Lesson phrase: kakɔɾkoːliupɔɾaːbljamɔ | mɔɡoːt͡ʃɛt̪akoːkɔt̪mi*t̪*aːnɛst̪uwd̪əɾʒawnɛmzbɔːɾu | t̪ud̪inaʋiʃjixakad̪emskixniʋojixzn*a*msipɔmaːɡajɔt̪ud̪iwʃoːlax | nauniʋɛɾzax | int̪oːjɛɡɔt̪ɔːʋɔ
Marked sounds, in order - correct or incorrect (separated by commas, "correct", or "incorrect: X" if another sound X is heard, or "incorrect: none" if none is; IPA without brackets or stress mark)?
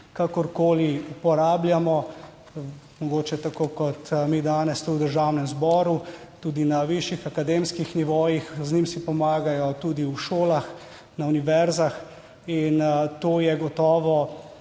incorrect: d̪, incorrect: i